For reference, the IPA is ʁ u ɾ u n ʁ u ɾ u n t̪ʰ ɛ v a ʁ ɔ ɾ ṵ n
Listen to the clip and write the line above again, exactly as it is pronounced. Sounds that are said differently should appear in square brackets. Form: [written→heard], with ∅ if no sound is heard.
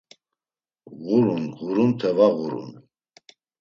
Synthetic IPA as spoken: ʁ u ɾ u n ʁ u ɾ u n t̪ʰ ɛ v a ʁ [ɔ→u] ɾ ṵ n